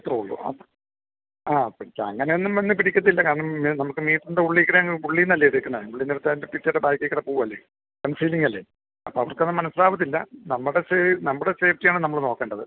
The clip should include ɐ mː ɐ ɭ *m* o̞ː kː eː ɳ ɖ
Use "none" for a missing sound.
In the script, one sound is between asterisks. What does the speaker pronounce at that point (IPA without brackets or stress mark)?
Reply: n